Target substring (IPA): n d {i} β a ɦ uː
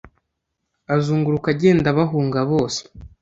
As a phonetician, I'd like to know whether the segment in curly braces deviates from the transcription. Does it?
yes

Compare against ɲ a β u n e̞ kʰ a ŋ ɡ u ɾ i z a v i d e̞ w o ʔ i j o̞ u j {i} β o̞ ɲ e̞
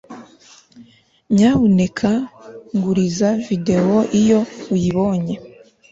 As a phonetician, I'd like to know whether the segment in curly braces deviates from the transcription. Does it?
no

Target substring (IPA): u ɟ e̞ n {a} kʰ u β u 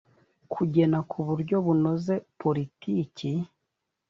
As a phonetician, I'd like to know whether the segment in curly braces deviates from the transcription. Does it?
no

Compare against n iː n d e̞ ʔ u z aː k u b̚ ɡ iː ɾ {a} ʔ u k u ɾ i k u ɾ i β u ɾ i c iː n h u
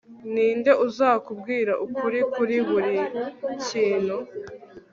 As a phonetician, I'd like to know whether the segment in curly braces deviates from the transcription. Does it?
no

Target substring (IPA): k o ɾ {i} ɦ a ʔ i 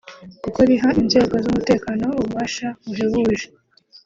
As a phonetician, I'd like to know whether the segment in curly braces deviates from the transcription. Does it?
no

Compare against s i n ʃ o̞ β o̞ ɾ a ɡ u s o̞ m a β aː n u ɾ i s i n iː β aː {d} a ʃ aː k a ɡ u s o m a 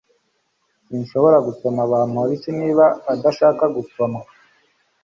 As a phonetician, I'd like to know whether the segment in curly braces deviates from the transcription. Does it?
no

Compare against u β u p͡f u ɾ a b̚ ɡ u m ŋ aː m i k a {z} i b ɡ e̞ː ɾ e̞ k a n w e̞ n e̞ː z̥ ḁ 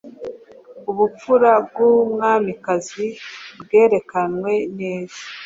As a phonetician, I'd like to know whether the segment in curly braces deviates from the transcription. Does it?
no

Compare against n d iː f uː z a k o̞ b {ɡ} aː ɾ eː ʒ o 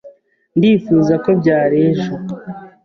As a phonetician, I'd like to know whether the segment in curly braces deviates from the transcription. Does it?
yes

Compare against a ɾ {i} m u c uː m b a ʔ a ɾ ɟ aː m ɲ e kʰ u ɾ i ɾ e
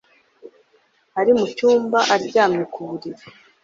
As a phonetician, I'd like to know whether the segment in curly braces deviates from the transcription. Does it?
no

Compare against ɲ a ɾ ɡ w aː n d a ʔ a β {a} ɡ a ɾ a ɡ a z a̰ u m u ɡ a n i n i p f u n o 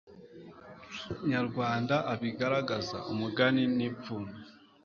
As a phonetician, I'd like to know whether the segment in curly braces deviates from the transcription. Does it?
yes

